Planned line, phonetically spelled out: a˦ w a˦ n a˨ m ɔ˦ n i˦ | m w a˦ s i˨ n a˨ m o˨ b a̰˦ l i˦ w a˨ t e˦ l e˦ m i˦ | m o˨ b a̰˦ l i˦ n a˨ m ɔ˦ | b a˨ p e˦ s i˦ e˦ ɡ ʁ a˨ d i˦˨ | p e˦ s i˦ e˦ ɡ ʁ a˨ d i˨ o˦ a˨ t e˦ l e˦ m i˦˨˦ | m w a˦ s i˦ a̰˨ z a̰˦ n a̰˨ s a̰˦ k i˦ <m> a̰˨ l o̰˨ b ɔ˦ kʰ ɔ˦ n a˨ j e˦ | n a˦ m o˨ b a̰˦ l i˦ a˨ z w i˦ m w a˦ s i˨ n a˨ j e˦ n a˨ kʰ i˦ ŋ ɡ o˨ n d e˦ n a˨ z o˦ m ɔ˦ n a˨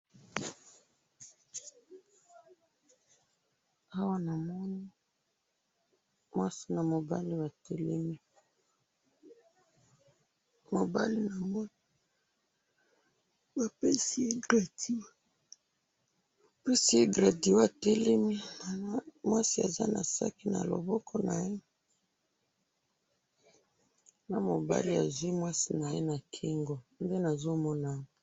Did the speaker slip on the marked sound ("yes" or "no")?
yes